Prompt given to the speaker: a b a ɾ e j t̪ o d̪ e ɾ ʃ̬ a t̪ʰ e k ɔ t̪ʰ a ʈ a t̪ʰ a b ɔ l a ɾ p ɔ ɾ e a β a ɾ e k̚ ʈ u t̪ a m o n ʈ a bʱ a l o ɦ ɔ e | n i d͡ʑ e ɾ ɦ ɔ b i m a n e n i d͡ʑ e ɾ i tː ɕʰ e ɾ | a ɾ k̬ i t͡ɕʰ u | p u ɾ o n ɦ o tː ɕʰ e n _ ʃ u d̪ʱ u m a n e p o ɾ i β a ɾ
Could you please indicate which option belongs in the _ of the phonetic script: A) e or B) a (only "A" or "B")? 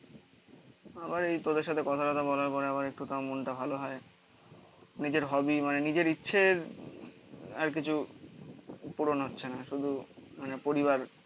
B